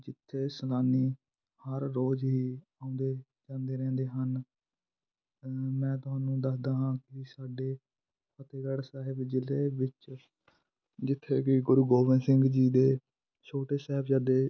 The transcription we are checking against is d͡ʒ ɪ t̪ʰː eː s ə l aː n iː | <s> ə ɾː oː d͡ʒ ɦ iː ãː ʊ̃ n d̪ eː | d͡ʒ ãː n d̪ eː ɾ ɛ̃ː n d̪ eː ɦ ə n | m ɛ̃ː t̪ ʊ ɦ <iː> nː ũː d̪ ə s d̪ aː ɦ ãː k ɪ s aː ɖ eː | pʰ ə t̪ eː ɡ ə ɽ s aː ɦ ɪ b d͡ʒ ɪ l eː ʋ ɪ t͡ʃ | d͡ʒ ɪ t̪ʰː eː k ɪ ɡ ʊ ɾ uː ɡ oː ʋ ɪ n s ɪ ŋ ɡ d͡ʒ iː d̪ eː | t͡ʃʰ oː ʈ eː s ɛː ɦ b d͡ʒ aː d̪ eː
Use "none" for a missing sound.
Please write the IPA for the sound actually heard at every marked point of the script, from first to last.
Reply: h, aː

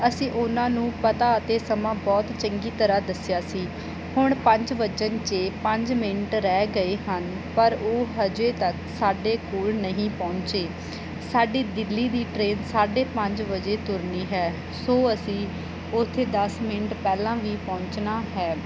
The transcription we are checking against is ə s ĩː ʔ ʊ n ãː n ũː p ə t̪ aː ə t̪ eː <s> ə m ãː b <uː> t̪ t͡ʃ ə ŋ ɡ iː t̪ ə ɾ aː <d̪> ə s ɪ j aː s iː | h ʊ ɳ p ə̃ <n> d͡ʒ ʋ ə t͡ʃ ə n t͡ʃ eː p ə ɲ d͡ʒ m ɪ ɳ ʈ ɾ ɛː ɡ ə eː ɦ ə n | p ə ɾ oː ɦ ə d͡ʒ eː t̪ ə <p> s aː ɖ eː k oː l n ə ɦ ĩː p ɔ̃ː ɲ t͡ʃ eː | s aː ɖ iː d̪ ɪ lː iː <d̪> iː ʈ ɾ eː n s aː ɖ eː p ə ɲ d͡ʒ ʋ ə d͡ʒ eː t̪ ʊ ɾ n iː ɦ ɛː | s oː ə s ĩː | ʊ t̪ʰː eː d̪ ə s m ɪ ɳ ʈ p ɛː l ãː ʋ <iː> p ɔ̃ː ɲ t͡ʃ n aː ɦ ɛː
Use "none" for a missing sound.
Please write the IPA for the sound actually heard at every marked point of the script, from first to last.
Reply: s, ɔː, d̪, ɲ, k, d̪, iː

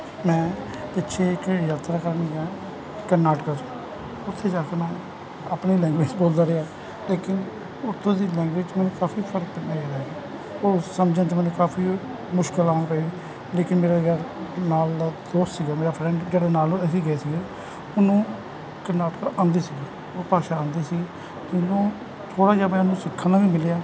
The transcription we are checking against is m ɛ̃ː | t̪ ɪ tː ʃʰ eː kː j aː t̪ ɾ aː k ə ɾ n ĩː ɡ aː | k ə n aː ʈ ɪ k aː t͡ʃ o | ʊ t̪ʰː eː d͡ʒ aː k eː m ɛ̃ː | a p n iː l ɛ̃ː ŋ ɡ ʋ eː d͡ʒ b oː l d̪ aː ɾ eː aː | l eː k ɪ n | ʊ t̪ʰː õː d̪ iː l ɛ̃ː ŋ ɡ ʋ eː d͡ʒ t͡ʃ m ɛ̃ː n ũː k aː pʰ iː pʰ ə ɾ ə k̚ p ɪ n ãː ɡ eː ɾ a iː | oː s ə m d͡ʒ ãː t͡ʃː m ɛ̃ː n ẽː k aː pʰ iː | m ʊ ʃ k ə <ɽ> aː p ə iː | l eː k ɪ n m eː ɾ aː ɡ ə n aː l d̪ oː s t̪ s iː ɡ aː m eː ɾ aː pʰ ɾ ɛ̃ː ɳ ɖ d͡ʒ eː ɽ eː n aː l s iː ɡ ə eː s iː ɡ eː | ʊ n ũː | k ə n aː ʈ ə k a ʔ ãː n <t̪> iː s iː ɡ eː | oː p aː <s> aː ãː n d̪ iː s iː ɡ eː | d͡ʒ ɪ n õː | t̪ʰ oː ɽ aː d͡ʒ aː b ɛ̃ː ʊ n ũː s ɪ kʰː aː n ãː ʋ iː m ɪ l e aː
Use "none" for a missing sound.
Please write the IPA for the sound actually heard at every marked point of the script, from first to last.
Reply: l, d̪, ʃ

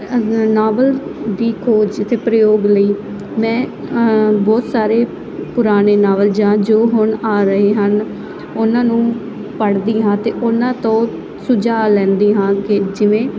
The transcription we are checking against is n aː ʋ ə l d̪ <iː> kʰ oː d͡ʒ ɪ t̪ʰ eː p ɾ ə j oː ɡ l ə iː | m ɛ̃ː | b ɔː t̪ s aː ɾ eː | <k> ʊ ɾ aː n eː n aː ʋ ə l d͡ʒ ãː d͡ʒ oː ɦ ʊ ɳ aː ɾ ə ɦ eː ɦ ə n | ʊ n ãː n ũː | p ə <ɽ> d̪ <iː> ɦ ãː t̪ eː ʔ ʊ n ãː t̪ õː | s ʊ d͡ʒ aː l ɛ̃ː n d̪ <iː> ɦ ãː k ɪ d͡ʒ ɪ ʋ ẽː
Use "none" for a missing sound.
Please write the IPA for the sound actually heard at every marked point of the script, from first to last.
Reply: iː, p, ɽ, iː, iː

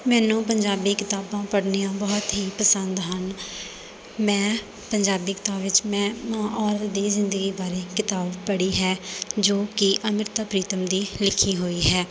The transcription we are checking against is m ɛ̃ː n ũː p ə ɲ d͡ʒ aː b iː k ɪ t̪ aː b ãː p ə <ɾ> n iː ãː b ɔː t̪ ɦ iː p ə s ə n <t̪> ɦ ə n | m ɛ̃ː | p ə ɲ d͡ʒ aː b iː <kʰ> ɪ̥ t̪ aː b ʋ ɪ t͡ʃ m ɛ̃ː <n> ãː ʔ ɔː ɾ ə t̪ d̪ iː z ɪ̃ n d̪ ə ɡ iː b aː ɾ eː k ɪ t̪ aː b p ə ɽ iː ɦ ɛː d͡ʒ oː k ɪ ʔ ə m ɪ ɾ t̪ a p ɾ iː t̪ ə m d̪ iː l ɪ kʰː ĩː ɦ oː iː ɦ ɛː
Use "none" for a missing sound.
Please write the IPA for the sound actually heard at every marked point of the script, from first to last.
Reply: ɽ, d̪, k, m

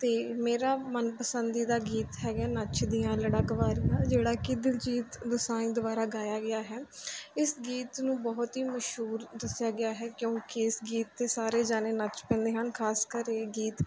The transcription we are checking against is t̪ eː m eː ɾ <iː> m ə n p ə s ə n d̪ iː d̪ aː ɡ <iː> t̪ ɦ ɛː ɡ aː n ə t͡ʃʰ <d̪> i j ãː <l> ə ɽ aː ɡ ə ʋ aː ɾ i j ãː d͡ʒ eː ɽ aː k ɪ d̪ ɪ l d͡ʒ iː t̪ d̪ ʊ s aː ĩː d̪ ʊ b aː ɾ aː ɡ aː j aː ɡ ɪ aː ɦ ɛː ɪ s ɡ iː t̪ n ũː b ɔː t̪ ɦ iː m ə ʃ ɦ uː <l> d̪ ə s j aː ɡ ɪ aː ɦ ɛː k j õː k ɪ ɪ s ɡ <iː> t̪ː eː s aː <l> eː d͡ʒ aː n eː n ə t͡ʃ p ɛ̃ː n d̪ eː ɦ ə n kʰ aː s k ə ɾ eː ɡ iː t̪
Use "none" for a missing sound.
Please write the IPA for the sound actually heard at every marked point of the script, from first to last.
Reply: aː, iː, d̪, l, ɾ, iː, ɾ

